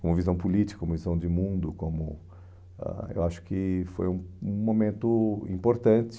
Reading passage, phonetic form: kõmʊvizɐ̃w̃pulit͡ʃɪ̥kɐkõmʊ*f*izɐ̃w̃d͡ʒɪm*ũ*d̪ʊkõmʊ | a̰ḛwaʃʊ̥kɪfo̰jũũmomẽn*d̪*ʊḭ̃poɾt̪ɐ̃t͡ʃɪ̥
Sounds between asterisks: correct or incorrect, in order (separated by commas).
incorrect, correct, incorrect